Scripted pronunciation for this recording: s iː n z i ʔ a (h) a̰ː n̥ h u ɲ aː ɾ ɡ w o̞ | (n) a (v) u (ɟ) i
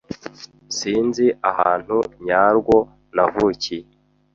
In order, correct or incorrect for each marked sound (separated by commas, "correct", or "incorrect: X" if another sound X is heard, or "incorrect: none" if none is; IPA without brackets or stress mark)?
correct, correct, correct, incorrect: c